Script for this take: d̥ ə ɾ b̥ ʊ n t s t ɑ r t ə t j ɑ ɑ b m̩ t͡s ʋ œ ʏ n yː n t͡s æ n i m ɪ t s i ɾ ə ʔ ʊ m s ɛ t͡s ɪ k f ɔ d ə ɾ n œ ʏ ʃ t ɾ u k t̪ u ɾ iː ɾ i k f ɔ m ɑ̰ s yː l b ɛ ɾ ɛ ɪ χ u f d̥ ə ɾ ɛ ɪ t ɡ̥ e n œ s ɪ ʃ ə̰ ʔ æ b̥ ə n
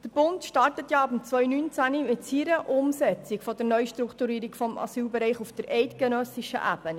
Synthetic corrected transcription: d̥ ə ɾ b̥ ʊ n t ʃ t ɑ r t ə t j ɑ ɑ b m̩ t͡s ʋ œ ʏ n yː n t͡s æ n i m ɪ t s i ɾ ə ʔ ʊ m s ɛ t͡s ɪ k f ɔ d ə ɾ n œ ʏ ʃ t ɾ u k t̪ u ɾ iː ɾ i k f ɔ m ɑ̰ s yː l b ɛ ɾ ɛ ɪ χ u f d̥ ə ɾ ɛ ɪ t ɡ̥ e n œ s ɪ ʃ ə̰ ʔ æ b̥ ə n

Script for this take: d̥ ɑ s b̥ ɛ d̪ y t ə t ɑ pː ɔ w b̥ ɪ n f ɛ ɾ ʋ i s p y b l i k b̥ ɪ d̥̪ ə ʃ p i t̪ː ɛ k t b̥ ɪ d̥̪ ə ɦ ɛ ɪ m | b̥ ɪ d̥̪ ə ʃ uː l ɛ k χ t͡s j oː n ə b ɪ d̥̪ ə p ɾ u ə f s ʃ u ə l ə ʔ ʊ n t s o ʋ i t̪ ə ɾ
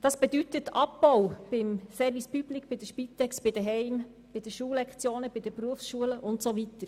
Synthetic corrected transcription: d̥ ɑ s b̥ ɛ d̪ y t ə t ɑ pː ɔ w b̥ ɪ m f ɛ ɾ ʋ i s p y b l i k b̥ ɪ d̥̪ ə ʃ p i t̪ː ɛ k s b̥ ɪ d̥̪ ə ɦ ɛ ɪ m | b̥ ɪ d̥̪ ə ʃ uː l ɛ k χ t͡s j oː n ə b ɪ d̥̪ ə p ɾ u ə f s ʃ u ə l ə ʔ ʊ n t s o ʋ i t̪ ə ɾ

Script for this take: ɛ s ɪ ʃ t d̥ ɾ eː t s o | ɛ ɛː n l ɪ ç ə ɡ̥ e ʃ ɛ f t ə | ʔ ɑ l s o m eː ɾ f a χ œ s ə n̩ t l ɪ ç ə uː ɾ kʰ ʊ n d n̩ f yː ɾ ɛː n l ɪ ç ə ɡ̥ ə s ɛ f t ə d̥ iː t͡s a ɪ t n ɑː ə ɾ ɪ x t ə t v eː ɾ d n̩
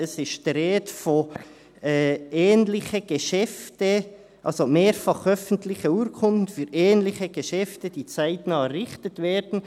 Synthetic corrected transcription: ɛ s ɪ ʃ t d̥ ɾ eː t f o | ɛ ɛː n l ɪ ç ə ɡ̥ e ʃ ɛ f t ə | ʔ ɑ l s o m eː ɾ f ɑ χ œ f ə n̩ t l ɪ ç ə uː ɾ kʰ ʊ n d n̩ f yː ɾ ɛː n l ɪ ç ə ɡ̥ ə ʃ ɛ f t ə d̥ iː t͡s a ɪ t n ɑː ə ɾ ɪ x t ə t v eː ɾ d n̩

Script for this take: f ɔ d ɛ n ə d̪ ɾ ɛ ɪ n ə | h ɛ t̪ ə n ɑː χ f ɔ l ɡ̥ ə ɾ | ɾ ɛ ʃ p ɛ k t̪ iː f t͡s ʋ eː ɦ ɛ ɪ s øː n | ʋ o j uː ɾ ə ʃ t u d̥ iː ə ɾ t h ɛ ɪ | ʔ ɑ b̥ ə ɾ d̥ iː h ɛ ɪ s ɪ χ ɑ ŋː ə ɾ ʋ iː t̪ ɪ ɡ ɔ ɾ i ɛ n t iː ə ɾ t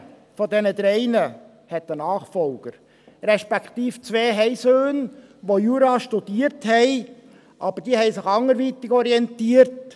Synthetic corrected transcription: f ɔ d ɛ n ə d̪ ɾ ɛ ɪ n ə | h ɛ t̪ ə n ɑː χ f ɔ l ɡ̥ ə ɾ | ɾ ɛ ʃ p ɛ k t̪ iː f t͡s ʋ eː ɦ ɛ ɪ s øː n | ʋ o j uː ɾ ɑ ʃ t u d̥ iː ə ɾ t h ɛ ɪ | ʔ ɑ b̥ ə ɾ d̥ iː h ɛ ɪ s ɪ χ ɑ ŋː ə ɾ ʋ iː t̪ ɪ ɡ ɔ ɾ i ɛ n t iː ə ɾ t

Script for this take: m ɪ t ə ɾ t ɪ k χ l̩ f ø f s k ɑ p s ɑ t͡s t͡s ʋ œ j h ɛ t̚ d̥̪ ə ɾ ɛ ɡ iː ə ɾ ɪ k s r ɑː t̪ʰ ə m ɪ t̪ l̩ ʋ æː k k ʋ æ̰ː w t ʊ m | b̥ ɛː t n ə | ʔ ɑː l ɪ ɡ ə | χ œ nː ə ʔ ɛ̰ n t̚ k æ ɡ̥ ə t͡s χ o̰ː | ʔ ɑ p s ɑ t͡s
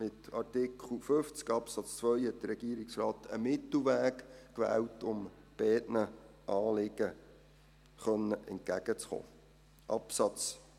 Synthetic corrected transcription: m ɪ t ɑ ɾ t ɪ k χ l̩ f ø f t͡s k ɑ p s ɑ t͡s t͡s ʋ œ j h ɛ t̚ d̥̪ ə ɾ ɛ ɡ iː ə ɾ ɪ k s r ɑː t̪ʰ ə m ɪ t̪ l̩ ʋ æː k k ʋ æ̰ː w t ʊ m | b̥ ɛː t n ə | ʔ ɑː l ɪ ɡ ə | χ œ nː ə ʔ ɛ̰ n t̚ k æ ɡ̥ ə t͡s χ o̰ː | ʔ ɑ p s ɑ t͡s

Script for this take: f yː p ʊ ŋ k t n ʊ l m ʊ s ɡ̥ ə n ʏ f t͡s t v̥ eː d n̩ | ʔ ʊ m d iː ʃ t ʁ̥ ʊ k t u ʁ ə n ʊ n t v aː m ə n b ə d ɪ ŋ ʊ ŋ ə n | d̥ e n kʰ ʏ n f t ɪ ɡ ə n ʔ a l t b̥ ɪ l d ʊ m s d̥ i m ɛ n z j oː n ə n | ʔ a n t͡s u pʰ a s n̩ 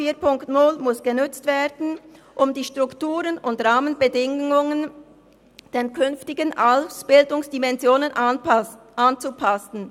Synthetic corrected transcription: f iː p ʊ ŋ k t n ʊ l m ʊ s ɡ̥ ə n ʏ t͡s t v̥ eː d n̩ | ʔ ʊ m d iː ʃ t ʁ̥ ʊ k t uː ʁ ə n ʊ n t ʁ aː m ə n b ə d ɪ ŋ ʊ ŋ ə n | d̥ e n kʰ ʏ n f t ɪ ɡ ə n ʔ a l s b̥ ɪ l d ʊ ŋ s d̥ i m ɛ n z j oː n ə n | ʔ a n t͡s u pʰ a s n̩

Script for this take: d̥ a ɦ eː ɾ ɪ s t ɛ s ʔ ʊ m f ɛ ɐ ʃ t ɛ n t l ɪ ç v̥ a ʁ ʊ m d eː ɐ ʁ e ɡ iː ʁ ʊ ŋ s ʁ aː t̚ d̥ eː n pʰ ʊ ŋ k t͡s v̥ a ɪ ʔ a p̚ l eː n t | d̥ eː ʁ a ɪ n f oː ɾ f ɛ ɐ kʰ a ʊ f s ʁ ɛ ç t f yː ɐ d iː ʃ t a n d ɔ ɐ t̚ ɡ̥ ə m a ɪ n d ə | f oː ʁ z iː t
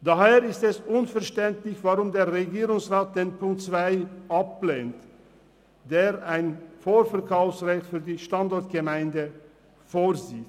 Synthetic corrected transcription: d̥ a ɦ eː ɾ ɪ s t ɛ s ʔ ʊ n f ɛ ɐ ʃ t ɛ n t l ɪ ç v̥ a ʁ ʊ m d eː ɐ ʁ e ɡ iː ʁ ʊ ŋ s ʁ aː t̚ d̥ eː n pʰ ʊ ŋ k t͡s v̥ a ɪ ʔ a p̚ l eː n t | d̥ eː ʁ a ɪ n f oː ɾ f ɛ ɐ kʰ a ʊ f s ʁ ɛ ç t f yː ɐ d iː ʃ t a n d ɔ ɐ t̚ ɡ̥ ə m a ɪ n d ə | f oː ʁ z iː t

